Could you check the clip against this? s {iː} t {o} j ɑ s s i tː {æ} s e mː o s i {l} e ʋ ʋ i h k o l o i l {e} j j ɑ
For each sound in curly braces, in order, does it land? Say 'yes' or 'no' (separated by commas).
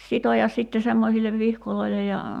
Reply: no, yes, no, no, yes